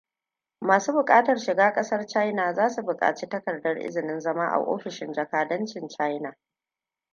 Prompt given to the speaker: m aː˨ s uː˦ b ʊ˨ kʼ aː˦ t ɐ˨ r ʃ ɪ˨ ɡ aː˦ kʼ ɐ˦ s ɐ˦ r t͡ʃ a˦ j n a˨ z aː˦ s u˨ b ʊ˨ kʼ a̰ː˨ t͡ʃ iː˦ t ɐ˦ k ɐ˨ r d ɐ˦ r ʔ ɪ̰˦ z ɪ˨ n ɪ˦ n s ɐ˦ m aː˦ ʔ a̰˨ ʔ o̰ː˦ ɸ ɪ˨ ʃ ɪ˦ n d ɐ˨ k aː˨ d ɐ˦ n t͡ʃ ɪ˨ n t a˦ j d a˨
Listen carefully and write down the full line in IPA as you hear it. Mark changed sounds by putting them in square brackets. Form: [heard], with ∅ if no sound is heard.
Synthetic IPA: m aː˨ s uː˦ b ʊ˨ kʼ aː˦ t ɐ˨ r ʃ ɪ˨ ɡ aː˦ kʼ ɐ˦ s ɐ˦ r t͡ʃ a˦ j n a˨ z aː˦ s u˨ b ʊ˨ kʼ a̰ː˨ t͡ʃ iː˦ t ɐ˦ k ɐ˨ r d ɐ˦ r ʔ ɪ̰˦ z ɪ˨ n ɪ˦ n [z] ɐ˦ m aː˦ ʔ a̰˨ ʔ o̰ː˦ ɸ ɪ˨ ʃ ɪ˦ n [d͡ʒ] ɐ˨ k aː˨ d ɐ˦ n t͡ʃ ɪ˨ n [t͡ʃ] a˦ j [n] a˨